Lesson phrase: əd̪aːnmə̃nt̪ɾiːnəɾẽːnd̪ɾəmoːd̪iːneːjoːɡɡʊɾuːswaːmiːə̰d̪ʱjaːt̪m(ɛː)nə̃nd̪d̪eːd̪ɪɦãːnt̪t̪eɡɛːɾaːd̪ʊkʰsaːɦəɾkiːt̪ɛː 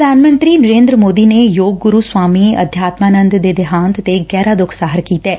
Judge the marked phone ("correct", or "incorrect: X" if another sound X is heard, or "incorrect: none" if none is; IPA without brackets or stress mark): incorrect: aː